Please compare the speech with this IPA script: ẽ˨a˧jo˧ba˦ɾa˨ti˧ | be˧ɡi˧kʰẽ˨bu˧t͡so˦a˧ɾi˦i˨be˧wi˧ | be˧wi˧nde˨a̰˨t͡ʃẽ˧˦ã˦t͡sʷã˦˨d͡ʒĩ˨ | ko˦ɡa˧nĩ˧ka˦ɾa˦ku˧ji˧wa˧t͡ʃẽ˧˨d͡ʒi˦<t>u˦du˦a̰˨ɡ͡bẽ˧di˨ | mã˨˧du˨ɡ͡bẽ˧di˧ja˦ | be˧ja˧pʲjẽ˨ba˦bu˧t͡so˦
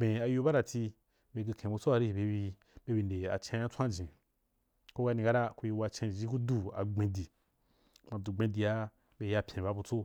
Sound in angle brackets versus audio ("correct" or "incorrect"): incorrect